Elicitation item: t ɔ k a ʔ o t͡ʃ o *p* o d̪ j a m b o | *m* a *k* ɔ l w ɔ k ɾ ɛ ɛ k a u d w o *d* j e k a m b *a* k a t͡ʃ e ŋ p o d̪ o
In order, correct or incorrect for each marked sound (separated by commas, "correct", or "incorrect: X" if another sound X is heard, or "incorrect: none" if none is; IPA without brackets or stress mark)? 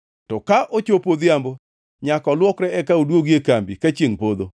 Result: correct, incorrect: ɲ, correct, incorrect: ɡ, incorrect: i